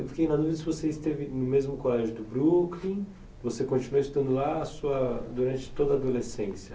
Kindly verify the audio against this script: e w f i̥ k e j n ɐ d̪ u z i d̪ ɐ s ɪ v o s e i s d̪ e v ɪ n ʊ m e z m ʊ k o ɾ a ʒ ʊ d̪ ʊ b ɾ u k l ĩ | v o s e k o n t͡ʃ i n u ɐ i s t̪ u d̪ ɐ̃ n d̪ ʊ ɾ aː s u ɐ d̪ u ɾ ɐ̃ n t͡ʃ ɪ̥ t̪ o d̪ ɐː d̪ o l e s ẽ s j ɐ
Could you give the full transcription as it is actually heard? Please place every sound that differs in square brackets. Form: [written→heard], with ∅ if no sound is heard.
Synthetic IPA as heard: e w f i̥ k e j n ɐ d̪ u [z→v] i d̪ ɐ s ɪ v o s e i s [d̪→t̪] e v ɪ n ʊ m e z m ʊ k o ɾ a ʒ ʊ d̪ ʊ b ɾ u k l ĩ | v o s e k [o→õ] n t͡ʃ i n u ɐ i s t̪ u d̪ ɐ̃ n d̪ ʊ [ɾ→l] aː s u ɐ d̪ u ɾ ɐ̃ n t͡ʃ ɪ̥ t̪ o d̪ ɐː d̪ o l e s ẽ s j ɐ